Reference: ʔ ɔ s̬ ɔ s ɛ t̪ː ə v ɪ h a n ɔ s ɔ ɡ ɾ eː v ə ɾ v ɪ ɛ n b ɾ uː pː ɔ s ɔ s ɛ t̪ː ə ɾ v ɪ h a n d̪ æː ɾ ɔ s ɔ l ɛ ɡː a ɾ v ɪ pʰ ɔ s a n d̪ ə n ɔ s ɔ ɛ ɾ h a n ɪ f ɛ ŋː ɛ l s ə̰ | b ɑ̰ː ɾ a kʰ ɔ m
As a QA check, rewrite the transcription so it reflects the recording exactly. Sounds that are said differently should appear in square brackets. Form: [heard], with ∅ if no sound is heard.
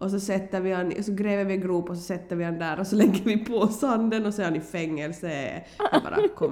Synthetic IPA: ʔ ɔ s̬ ɔ s ɛ t̪ː ə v ɪ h a n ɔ s ɔ ɡ ɾ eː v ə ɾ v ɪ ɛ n [ɡ] ɾ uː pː ɔ s ɔ s ɛ t̪ː ə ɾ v ɪ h a n d̪ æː ɾ ɔ s ɔ l ɛ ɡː [ə] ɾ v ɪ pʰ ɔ s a n d̪ ə n ɔ s ɔ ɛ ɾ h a n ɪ f ɛ ŋː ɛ l s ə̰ | b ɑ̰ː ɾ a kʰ ɔ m